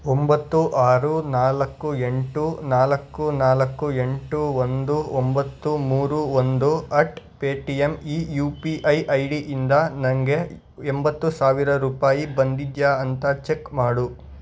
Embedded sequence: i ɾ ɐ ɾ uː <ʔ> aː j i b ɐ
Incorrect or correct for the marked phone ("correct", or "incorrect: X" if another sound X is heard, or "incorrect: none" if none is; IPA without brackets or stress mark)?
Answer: incorrect: p